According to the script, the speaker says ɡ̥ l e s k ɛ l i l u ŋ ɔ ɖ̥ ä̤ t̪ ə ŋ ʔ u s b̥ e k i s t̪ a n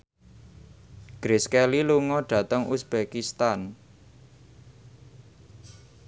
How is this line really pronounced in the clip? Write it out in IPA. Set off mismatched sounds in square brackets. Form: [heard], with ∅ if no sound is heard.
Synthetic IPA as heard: ɡ̥ [ɾ] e s k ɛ l i l u ŋ ɔ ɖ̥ ä̤ t̪ ə ŋ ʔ u s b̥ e k i s t̪ a n